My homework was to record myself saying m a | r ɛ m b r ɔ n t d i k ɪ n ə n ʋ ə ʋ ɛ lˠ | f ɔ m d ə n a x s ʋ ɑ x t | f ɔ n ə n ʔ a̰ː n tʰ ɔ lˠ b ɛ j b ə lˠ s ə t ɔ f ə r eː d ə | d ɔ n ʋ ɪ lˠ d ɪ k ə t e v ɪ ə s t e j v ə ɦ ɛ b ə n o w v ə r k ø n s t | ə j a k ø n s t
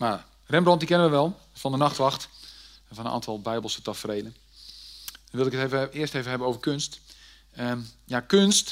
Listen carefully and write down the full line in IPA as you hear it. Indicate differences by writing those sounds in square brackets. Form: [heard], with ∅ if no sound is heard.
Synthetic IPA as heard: m a | r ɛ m b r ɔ n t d i k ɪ n ə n ʋ ə ʋ ɛ lˠ | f ɔ [n] d ə n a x [t] ʋ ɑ x t | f ɔ n ə n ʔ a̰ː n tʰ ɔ lˠ b ɛ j b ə lˠ s ə t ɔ f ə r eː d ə | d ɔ n ʋ ɪ lˠ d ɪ k ə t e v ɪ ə s t e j v ə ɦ ɛ b ə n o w v ə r k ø n s t | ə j a k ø n s t